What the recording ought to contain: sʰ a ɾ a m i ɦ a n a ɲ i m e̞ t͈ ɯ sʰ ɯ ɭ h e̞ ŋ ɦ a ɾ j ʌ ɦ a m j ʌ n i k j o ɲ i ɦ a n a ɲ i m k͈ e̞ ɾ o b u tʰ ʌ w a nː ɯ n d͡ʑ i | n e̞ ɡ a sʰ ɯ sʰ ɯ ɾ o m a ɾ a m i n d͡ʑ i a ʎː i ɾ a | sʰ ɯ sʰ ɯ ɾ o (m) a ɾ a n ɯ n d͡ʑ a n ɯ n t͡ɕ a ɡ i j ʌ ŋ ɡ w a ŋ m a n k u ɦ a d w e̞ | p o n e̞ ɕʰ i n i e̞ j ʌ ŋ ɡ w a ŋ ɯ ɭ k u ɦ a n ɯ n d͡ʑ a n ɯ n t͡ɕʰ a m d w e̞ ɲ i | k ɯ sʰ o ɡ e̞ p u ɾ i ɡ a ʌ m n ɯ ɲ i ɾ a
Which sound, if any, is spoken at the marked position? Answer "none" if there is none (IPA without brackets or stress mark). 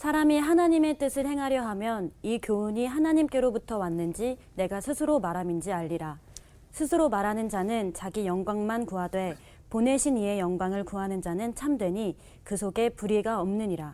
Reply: m